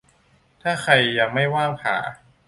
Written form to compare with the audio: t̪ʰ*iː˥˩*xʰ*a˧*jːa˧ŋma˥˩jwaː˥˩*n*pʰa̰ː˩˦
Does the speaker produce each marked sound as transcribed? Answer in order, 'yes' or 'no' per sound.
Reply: no, yes, no

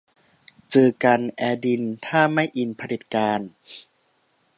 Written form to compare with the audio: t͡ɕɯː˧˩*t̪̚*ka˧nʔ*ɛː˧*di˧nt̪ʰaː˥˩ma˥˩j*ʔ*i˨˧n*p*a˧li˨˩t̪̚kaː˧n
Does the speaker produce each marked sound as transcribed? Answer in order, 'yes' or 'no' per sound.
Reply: no, yes, yes, no

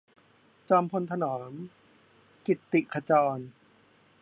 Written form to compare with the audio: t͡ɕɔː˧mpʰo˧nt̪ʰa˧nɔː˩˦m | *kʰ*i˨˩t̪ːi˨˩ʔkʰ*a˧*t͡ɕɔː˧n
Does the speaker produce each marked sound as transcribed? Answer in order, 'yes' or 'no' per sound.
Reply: no, yes

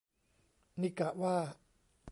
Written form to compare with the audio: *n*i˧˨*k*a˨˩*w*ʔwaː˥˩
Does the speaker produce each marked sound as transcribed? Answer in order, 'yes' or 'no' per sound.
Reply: yes, yes, no

